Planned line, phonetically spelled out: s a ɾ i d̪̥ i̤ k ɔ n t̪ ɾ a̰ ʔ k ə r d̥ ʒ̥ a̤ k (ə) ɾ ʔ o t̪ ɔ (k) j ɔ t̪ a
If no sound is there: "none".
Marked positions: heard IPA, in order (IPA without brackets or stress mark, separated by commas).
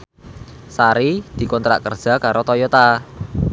a, none